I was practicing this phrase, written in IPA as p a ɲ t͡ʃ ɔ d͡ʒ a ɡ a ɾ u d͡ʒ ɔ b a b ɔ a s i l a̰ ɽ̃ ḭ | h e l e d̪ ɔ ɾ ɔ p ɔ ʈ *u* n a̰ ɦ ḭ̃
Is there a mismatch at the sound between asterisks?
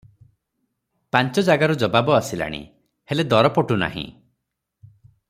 no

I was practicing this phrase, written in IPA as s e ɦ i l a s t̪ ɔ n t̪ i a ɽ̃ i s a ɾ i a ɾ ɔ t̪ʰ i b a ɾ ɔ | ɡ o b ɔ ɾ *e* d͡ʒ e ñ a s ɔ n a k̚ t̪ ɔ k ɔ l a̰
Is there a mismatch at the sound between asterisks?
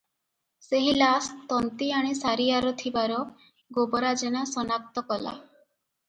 yes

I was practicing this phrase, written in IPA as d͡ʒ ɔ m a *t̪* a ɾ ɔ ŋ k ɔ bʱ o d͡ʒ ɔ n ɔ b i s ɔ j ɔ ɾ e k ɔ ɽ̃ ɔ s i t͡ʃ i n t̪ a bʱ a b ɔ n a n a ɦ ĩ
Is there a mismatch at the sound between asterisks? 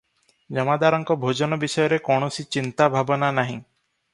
yes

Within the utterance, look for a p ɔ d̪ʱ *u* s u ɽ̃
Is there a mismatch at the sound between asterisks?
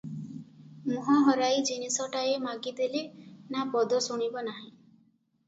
yes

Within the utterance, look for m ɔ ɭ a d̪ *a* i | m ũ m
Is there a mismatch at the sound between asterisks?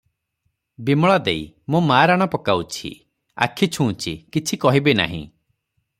yes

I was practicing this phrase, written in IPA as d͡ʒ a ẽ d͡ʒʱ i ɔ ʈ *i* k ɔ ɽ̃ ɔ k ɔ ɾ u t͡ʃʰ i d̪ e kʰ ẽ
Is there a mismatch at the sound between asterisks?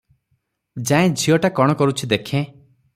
yes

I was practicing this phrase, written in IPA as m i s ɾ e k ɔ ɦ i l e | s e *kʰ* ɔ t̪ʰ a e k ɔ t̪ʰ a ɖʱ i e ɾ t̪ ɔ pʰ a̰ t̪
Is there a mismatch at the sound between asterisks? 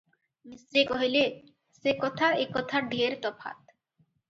yes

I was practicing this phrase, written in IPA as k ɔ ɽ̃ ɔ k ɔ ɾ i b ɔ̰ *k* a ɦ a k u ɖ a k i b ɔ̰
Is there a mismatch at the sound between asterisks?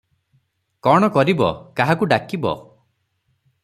no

